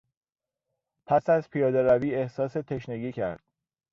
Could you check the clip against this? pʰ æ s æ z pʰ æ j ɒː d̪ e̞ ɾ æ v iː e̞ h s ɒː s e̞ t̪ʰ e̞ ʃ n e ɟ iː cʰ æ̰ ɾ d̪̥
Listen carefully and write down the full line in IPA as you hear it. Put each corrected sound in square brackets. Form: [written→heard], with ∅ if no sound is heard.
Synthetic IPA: pʰ æ s æ z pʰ [æ→i] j ɒː d̪ e̞ ɾ æ v iː e̞ h s ɒː s e̞ t̪ʰ e̞ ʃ n e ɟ iː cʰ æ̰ ɾ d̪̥